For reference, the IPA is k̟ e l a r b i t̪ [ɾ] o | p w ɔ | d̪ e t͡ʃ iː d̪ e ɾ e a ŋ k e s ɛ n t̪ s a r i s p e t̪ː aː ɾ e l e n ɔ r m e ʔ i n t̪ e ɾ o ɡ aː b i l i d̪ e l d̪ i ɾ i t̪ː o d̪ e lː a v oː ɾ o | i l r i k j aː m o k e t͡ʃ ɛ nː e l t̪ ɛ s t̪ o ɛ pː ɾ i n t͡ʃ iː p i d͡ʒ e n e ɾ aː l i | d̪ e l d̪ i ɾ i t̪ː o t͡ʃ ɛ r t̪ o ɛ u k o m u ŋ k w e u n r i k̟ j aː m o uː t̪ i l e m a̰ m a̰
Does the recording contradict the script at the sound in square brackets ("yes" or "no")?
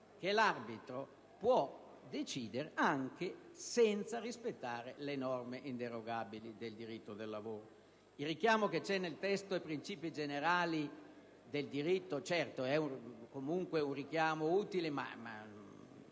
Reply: no